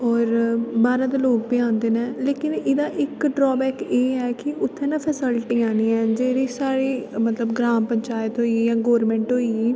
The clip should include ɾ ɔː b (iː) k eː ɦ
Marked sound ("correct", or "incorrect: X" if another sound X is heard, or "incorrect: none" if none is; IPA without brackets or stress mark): incorrect: ɛː